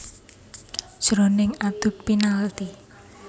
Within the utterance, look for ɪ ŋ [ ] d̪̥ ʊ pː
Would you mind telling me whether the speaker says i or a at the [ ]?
a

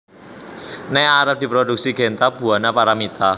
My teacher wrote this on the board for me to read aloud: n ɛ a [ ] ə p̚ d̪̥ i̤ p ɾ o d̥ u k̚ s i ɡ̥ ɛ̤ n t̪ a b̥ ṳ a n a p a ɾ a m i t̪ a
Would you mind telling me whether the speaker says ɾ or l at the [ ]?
ɾ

